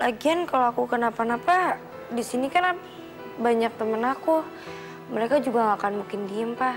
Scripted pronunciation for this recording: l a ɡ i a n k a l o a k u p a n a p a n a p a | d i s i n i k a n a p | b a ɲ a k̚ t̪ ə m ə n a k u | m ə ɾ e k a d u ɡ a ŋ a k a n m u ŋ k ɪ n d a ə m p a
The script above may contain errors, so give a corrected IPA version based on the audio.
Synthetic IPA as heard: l a ɡ i a n k a l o a k u k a n a p a n a p a | d i s i n i k a n a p | b a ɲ a k̚ t̪ ə m ə n a k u | m ə ɾ e k a d͡ʒ u ɡ a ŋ a k a n m u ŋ k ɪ n d i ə m p a